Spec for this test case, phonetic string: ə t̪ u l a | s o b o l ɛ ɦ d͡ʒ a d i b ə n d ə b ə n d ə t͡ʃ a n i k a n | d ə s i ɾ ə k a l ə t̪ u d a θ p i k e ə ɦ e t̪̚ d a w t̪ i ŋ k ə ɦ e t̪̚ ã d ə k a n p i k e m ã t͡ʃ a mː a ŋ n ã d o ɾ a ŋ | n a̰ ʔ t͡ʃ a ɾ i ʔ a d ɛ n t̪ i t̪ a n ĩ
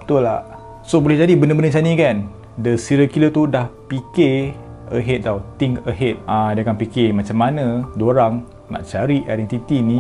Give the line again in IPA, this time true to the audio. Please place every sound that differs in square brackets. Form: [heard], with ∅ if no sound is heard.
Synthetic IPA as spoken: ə t̪ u l a | s o b o l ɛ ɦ d͡ʒ a d i b ə n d ə b ə n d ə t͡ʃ a n i k a n | d ə s i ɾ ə k [i] l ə t̪ u d a [h] p i k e ə ɦ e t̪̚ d a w t̪ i ŋ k ə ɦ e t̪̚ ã d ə k a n p i k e m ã t͡ʃ a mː a [∅] n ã d o ɾ a ŋ | n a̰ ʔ t͡ʃ a ɾ i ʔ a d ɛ n t̪ i t̪ [i] n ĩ